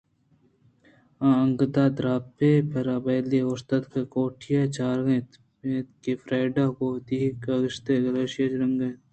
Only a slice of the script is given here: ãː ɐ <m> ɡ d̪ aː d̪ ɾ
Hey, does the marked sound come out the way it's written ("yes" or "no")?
no